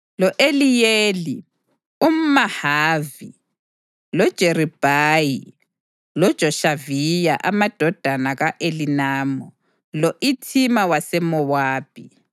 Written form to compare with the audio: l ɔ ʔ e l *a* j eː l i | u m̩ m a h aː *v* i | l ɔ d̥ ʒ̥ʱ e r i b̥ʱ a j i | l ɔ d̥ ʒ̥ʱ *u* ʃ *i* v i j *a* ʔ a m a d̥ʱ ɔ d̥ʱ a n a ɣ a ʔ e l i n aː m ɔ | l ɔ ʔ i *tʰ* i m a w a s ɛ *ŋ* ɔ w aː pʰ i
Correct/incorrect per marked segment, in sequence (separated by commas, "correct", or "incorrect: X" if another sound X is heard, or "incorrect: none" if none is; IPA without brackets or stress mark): incorrect: i, correct, incorrect: ɔ, incorrect: a, correct, correct, incorrect: m